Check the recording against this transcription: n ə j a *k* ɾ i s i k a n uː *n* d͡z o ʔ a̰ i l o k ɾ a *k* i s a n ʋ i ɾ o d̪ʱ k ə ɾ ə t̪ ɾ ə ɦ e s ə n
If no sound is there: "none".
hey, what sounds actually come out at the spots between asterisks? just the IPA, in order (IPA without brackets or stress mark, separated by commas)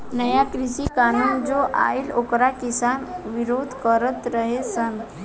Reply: k, n, k